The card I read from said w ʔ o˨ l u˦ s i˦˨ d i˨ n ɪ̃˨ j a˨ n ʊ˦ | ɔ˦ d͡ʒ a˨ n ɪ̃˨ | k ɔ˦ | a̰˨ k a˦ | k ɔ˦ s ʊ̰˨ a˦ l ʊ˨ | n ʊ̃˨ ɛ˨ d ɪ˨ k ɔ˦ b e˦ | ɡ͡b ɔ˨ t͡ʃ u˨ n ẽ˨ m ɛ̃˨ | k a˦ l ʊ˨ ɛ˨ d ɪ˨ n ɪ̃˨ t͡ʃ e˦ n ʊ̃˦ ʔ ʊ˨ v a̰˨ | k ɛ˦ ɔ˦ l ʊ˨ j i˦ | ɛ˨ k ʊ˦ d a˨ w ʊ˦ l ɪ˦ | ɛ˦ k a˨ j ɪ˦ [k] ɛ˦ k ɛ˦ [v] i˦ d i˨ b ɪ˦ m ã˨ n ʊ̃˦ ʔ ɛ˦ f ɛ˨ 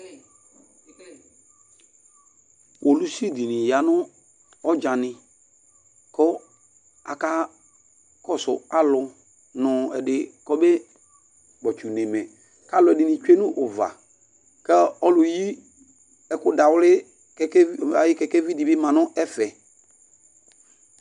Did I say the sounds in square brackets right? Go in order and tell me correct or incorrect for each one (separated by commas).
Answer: correct, correct